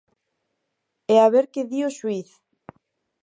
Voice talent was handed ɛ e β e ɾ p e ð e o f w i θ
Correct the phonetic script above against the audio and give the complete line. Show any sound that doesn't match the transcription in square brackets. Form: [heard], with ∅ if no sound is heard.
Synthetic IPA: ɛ [a] β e ɾ [k] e ð [i] o [ʃ] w i θ